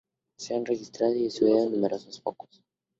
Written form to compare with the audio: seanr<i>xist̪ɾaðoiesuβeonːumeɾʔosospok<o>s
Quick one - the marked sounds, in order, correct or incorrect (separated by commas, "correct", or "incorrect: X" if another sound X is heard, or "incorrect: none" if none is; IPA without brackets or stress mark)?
incorrect: e, correct